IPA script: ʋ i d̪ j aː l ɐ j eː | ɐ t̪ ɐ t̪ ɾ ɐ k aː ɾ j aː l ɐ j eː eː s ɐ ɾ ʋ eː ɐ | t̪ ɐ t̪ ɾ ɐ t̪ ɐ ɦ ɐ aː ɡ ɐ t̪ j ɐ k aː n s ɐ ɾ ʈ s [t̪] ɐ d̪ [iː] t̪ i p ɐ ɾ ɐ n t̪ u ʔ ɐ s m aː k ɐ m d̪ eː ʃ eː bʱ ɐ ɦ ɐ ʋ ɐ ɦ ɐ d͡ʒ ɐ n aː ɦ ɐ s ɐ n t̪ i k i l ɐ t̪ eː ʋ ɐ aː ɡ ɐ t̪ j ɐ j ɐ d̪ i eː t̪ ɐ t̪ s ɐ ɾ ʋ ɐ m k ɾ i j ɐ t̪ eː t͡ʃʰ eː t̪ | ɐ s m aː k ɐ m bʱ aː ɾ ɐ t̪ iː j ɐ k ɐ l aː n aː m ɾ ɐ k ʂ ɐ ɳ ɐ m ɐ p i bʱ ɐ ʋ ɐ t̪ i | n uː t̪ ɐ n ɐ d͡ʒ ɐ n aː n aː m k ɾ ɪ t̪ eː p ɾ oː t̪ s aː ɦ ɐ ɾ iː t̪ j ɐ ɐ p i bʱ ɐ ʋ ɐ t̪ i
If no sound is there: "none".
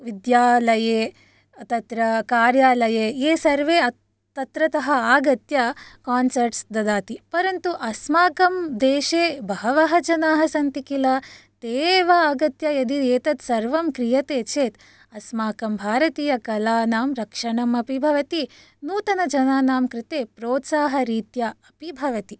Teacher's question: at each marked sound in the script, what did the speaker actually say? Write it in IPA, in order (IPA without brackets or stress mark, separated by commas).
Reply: d̪, aː